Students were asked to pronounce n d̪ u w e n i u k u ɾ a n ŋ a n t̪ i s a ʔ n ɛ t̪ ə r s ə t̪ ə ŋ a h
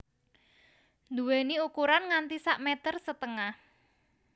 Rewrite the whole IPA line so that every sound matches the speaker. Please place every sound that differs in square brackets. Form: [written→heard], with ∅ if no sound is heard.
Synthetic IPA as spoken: n d̪ u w e n i u k u ɾ a n ŋ a n t̪ i s a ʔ [n→m] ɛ t̪ ə r s ə t̪ ə ŋ a h